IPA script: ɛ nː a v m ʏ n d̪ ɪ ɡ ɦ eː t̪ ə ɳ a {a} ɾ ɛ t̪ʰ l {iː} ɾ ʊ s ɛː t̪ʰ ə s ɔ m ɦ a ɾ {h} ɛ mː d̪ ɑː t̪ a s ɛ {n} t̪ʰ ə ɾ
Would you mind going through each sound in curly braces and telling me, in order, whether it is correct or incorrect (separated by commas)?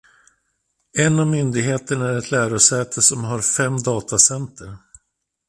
incorrect, incorrect, incorrect, correct